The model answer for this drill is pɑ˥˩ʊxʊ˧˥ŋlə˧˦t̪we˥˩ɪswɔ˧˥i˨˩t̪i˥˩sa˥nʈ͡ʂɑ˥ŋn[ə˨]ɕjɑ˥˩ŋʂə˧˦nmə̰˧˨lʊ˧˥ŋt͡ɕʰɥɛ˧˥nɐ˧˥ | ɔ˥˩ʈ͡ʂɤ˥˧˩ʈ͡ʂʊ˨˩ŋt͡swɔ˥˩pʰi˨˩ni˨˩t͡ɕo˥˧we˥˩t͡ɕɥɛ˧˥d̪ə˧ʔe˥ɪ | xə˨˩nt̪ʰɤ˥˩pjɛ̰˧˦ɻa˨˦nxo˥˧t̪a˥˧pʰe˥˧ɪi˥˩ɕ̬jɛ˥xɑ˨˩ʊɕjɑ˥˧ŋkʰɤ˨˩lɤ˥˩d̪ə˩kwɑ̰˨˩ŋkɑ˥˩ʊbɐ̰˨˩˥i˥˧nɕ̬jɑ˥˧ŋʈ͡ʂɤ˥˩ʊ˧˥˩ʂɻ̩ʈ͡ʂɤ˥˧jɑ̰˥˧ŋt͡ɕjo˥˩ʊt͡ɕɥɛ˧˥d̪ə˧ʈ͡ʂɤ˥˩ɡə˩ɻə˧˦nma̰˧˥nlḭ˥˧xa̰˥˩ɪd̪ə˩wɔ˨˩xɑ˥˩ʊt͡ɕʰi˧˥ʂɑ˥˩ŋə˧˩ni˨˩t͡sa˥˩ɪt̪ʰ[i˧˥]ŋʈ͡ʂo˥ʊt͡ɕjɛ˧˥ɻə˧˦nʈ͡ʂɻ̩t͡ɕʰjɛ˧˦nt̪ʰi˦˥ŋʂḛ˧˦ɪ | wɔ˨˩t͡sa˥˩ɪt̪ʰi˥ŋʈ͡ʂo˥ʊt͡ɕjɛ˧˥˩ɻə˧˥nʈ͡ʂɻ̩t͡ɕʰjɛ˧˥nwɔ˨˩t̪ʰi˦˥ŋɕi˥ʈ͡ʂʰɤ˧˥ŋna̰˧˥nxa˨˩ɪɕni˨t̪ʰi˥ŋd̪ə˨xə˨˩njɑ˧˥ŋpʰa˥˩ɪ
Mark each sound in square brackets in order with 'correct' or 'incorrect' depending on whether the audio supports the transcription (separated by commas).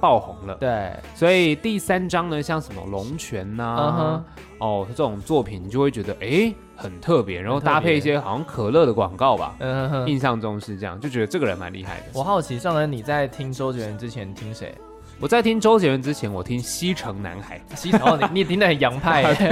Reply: correct, incorrect